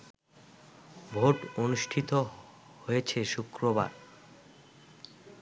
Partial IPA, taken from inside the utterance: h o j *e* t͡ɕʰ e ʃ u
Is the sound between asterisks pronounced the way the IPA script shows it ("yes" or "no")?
yes